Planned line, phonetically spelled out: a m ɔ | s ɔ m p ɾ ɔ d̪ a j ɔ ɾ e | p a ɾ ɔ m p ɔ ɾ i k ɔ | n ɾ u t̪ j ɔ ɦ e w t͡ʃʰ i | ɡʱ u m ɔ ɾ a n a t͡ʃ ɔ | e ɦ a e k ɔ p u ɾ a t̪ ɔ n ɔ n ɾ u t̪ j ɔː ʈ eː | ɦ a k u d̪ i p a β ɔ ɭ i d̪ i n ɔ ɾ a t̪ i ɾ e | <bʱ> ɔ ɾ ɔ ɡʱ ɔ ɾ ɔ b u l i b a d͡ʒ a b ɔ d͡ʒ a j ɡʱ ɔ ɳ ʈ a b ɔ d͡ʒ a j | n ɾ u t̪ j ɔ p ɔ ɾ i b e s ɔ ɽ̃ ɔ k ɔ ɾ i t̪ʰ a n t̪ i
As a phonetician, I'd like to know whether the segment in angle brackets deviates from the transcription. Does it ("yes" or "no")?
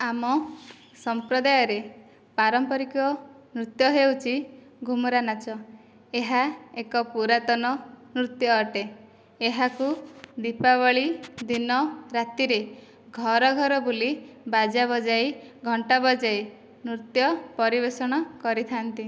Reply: yes